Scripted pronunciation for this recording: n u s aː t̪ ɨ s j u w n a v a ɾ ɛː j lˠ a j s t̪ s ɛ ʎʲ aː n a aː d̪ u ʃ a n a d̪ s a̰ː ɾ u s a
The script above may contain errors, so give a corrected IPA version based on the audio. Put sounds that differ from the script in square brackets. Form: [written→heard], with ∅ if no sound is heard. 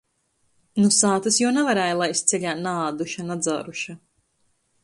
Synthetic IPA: n u s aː t̪ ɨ s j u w n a v a ɾ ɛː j lˠ a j s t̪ s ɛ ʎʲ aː n a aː d̪ u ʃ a n a d̪ [s→z] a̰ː ɾ u [s→ʃ] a